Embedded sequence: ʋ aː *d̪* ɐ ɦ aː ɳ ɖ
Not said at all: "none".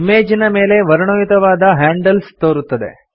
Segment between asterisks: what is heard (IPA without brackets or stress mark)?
d̪